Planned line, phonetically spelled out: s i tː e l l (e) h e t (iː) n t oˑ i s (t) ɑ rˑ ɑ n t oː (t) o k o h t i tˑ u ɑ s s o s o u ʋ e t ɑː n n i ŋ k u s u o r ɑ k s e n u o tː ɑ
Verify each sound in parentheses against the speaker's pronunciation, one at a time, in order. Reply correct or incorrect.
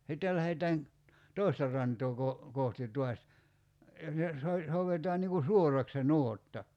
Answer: incorrect: æ, incorrect: æː, correct, incorrect: k

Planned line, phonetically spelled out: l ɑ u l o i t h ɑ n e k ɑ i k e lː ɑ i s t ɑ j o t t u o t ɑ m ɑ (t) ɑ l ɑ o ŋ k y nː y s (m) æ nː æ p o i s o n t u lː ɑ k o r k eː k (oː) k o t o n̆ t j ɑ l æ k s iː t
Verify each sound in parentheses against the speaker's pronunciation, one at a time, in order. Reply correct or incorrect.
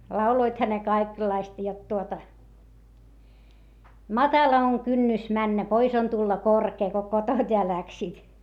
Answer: correct, correct, incorrect: o

